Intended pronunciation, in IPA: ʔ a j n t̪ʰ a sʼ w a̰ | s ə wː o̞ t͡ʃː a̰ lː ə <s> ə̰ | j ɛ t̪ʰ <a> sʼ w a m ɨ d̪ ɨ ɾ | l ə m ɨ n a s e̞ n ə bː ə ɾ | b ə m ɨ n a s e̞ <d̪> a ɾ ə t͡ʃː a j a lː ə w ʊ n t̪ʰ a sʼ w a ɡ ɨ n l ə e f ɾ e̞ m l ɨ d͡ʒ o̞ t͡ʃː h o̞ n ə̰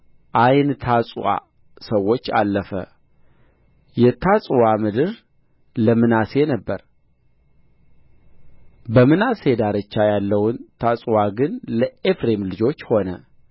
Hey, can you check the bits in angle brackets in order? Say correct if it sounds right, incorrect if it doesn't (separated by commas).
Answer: incorrect, correct, correct